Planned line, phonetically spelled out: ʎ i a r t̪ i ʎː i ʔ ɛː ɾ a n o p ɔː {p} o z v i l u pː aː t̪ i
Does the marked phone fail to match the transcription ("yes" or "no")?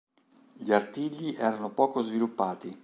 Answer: yes